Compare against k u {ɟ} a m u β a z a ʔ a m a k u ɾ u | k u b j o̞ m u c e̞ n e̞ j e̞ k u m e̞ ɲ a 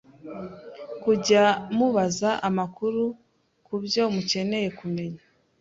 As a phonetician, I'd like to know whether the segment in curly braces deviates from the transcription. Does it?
no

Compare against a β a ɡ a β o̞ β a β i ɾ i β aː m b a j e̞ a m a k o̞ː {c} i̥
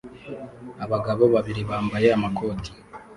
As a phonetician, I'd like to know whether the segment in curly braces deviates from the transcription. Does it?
yes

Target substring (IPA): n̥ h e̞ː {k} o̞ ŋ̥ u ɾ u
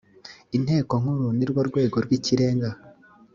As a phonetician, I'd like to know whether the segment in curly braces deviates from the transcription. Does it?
no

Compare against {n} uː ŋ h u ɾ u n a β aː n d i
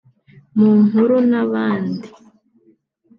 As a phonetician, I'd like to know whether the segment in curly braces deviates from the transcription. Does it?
yes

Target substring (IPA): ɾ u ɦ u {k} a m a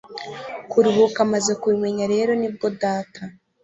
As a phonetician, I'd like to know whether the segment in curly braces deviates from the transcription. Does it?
no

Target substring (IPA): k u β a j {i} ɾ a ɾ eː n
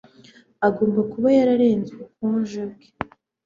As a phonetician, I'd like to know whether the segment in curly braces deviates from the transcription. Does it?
yes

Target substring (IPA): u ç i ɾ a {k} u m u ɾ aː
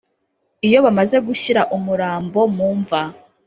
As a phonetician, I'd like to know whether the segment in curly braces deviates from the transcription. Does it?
yes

